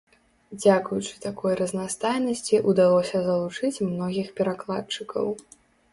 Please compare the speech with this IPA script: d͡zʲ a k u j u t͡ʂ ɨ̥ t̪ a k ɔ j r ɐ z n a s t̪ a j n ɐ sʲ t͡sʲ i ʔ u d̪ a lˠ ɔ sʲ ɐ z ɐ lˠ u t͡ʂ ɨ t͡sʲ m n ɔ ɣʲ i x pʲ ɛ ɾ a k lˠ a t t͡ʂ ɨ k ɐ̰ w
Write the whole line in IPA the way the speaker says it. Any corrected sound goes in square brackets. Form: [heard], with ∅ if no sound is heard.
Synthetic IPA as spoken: d͡zʲ a k u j u t͡ʂ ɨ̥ t̪ a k ɔ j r ɐ z n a s t̪ a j n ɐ sʲ t͡sʲ i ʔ u d̪ a lˠ ɔ sʲ ɐ z ɐ lˠ u t͡ʂ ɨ t͡sʲ m n ɔ ɣʲ i x pʲ ɛ ɾ a k lˠ a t t͡ʂ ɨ k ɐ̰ w